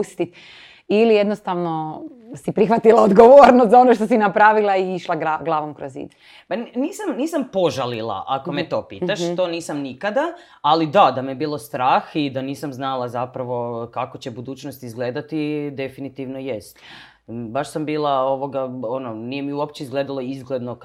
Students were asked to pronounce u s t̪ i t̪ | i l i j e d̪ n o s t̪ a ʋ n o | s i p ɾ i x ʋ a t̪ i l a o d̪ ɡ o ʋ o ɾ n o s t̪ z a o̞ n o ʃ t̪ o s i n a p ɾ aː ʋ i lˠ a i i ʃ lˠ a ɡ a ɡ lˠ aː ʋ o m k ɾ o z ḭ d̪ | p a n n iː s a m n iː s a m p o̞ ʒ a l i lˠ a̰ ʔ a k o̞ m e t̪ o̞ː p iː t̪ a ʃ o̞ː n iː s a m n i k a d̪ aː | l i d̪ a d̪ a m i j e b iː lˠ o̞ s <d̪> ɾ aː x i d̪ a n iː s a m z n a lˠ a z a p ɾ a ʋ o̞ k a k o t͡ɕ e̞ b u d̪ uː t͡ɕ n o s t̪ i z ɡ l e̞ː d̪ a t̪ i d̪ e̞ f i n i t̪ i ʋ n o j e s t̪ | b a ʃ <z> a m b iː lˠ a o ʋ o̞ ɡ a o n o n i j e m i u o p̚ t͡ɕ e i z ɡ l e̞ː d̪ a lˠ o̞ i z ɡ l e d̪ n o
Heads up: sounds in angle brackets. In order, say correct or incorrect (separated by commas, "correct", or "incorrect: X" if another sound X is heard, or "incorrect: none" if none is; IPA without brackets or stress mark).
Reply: incorrect: t̪, incorrect: s